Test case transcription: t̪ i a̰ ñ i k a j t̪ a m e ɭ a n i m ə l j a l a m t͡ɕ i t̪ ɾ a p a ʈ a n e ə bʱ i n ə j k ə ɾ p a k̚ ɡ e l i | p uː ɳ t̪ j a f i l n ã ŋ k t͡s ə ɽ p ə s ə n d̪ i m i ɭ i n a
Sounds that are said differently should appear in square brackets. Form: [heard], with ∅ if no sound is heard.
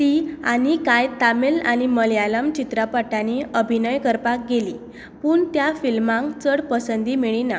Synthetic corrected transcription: t̪ i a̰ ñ i k a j t̪ a m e [l] a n i m ə l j a l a m t͡ɕ i t̪ ɾ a p a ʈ a n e ə bʱ i n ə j k ə ɾ p a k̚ ɡ e l i | p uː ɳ t̪ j a f i l [m] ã ŋ k t͡s ə ɽ p ə s ə n d̪ i m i ɭ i n a